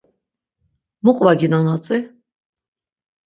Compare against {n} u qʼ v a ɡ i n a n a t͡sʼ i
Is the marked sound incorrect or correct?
incorrect